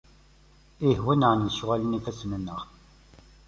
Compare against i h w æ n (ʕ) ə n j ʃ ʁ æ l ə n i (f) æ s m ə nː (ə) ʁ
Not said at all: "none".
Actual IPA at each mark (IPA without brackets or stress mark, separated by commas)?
ʕ, f, ə